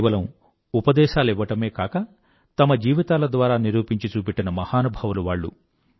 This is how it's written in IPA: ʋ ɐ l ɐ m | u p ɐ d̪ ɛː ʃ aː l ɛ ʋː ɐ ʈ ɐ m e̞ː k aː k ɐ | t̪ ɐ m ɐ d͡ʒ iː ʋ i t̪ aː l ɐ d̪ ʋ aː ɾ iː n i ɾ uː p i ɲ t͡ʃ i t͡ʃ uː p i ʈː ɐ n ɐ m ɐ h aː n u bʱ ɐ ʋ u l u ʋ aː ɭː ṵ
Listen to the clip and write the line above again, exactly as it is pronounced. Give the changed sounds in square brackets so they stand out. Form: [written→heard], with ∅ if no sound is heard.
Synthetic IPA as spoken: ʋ ɐ l ɐ m | u p ɐ d̪ ɛː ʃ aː l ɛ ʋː ɐ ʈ ɐ m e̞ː k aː k ɐ | t̪ ɐ m ɐ d͡ʒ iː ʋ i t̪ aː l ɐ d̪ ʋ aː ɾ [iː→aː] n i ɾ uː p i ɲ t͡ʃ i t͡ʃ uː p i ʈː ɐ n ɐ m ɐ h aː n u bʱ ɐ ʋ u l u ʋ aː ɭː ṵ